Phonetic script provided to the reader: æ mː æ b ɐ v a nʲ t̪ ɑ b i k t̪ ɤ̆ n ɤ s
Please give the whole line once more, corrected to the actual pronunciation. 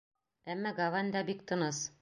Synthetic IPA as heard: æ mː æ ɡ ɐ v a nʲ d̪ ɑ b i k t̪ ɤ̆ n ɤ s